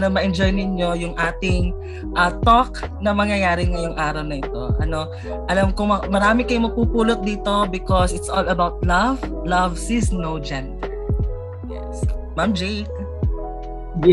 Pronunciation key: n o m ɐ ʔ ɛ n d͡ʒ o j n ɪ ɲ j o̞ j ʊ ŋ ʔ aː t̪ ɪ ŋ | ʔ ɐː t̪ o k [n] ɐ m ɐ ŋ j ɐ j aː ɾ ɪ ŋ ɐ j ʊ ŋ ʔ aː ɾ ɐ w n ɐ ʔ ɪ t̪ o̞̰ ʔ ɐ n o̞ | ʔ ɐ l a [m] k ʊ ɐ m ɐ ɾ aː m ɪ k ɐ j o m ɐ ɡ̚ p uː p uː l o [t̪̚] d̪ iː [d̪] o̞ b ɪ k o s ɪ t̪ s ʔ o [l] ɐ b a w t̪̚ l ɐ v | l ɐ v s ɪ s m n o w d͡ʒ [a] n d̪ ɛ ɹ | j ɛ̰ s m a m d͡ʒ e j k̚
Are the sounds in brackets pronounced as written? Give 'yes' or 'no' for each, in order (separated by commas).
yes, yes, yes, no, yes, no